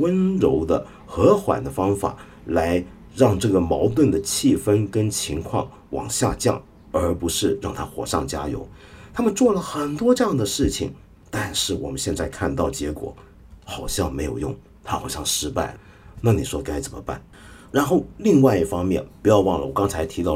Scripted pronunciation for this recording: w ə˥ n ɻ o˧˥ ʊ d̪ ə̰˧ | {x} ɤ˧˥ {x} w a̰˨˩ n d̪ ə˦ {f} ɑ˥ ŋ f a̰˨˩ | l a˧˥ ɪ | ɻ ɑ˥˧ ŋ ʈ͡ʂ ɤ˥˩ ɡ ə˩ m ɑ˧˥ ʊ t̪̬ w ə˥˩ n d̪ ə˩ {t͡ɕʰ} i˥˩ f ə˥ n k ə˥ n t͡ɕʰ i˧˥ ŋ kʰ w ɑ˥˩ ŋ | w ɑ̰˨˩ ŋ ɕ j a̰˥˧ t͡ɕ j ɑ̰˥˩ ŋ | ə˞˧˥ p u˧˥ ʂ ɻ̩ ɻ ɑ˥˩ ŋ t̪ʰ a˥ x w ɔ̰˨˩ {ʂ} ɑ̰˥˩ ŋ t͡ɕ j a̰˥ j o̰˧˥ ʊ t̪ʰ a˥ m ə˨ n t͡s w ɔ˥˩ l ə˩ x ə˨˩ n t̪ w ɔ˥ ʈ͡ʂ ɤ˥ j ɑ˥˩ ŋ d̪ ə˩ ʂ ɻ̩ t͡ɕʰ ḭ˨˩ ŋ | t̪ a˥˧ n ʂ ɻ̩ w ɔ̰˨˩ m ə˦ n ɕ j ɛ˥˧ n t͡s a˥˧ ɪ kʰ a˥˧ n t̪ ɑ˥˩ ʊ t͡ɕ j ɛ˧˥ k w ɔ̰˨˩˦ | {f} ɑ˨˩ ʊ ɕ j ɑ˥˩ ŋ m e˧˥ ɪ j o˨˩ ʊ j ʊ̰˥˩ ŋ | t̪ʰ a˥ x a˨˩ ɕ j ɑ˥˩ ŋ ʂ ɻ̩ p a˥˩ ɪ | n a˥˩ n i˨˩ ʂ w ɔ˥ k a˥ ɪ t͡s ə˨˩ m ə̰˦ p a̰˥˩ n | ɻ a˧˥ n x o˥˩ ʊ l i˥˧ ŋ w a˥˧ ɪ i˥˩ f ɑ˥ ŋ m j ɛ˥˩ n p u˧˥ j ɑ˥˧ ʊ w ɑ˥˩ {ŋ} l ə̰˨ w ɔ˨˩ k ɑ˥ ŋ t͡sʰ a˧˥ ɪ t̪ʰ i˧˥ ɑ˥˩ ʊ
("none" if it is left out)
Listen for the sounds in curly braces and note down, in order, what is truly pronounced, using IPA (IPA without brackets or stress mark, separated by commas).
x, x, f, t͡ɕʰ, ʂ, x, ŋ